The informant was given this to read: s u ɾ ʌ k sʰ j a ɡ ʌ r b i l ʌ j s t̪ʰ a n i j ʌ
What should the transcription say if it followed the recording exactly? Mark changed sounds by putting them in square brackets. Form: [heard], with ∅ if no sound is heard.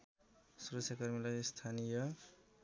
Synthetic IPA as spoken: s u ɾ ʌ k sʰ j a [k] ʌ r [m] i l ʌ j s t̪ʰ a n i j ʌ